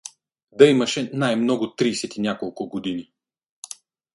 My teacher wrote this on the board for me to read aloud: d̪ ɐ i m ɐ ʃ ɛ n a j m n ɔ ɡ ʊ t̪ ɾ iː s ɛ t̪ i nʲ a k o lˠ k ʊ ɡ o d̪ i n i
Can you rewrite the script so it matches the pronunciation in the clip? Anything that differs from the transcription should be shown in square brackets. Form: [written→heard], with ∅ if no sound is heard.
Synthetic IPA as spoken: d̪ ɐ i m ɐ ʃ ɛ n a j m n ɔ ɡ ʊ t̪ ɾ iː s ɛ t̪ i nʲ a k o lˠ k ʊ ɡ o d̪ i n i